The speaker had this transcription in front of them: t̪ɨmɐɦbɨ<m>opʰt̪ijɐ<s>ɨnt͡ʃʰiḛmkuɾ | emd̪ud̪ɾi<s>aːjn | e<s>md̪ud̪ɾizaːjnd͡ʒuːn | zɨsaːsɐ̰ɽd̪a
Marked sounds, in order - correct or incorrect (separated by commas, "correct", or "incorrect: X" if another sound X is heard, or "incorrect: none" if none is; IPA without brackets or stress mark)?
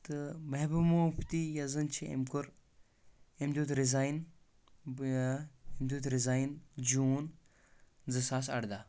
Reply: correct, incorrect: z, incorrect: z, incorrect: none